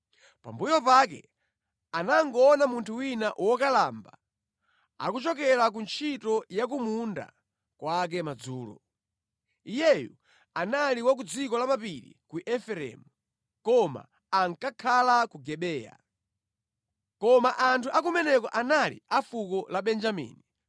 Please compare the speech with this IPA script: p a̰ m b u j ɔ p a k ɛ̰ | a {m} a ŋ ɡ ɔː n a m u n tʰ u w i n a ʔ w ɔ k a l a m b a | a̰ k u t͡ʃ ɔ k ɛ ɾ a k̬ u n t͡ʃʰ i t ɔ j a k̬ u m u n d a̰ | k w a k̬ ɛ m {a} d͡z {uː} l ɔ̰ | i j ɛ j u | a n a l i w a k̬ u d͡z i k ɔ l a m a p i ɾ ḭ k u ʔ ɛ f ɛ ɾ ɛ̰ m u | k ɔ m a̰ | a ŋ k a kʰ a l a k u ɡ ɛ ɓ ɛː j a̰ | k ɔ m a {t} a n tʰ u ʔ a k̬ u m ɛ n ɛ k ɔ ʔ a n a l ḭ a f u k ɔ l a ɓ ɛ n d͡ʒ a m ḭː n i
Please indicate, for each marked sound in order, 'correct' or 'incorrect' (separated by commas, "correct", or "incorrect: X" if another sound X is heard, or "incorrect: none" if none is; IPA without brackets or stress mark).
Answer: incorrect: n, correct, correct, incorrect: ʔ